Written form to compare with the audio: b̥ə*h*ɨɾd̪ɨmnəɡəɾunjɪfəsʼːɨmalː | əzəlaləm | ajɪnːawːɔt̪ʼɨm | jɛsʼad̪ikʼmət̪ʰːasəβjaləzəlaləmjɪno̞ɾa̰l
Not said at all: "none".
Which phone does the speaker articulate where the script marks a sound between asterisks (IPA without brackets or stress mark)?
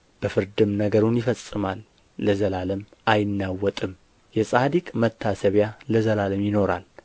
f